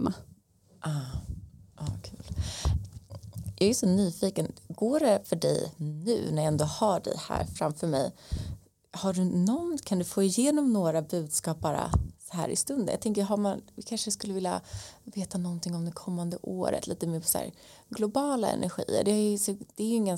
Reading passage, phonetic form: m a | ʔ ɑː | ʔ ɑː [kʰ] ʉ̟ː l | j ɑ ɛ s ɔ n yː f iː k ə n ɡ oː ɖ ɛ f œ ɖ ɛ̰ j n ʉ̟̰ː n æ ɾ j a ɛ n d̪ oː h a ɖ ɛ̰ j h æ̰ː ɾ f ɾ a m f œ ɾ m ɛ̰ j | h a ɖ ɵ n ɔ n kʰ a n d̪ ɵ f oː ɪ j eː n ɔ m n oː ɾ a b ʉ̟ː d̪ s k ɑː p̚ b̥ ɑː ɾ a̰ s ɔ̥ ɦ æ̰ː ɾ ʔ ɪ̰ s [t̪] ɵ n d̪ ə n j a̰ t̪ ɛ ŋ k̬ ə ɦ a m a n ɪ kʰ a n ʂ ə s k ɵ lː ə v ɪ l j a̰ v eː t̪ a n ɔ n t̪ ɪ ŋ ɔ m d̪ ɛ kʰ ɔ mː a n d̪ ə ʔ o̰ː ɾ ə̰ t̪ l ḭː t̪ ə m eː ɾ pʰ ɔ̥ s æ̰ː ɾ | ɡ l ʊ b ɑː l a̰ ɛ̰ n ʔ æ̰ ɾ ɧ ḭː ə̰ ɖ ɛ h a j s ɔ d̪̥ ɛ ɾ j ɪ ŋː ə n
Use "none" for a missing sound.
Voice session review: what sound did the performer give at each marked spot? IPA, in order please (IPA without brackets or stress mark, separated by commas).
kʰ, t̪